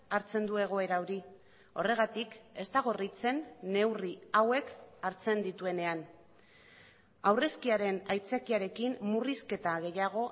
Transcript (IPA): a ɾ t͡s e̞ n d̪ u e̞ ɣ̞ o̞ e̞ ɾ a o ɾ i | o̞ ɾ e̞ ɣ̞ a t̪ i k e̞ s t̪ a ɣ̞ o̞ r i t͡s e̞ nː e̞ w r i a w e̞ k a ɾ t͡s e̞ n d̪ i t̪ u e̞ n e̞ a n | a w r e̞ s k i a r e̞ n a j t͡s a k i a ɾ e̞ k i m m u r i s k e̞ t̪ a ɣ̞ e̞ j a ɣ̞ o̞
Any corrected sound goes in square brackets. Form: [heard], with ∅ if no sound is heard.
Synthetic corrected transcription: a ɾ t͡s e̞ n d̪ u e̞ ɣ̞ o̞ e̞ ɾ a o ɾ i | o̞ [r] e̞ ɣ̞ a t̪ i k e̞ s t̪ a ɣ̞ o̞ r i t͡s e̞ nː e̞ w r i a w e̞ k a ɾ t͡s e̞ n d̪ i t̪ u e̞ n e̞ a n | a w r e̞ s k i a [ɾ] e̞ n a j t͡s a k i a ɾ e̞ k i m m u r i s k e̞ t̪ a ɣ̞ e̞ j a ɣ̞ o̞